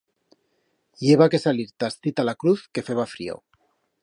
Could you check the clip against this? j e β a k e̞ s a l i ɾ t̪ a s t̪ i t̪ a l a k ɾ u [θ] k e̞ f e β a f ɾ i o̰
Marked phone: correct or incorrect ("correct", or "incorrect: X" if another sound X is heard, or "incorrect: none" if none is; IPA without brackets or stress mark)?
correct